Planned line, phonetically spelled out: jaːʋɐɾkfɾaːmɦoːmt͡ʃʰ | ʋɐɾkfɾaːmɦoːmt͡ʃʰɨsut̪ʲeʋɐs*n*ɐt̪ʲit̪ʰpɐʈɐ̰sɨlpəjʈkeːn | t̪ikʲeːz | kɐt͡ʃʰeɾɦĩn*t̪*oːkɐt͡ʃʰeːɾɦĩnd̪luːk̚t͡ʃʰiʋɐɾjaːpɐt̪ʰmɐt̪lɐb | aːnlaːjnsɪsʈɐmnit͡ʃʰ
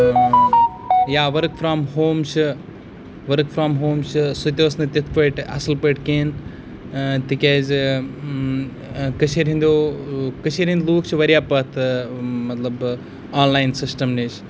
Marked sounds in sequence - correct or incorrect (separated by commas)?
correct, incorrect